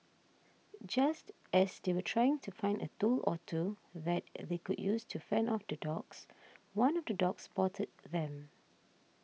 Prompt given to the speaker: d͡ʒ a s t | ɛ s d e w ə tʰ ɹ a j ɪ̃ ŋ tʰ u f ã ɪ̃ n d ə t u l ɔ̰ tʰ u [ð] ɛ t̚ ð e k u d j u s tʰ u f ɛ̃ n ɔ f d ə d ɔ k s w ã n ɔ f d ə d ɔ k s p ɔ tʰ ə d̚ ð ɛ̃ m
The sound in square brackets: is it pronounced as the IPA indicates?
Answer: yes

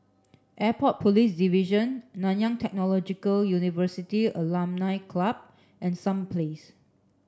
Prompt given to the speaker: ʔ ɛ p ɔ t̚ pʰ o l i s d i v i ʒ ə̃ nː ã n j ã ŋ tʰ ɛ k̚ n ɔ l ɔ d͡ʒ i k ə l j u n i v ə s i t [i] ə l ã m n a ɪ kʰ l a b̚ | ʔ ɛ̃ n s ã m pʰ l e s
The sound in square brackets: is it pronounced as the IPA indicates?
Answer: yes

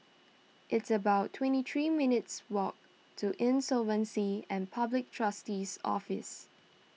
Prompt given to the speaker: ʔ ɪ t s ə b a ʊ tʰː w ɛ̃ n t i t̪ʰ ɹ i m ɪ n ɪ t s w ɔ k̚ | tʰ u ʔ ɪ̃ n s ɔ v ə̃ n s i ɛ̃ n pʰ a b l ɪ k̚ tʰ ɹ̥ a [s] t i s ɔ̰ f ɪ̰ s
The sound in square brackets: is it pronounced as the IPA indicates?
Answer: yes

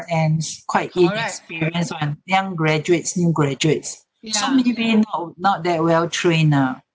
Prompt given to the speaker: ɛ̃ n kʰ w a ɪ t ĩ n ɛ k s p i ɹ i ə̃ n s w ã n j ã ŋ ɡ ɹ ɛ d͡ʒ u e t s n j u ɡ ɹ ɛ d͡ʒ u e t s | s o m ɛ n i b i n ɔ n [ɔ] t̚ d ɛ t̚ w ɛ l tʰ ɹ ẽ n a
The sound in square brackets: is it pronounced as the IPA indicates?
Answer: yes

